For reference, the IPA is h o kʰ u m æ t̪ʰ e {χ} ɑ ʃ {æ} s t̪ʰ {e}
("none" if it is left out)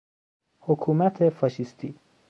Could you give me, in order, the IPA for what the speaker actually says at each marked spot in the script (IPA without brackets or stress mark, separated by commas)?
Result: f, i, i